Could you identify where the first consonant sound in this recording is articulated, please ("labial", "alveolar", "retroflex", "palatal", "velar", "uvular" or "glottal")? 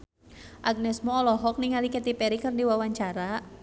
glottal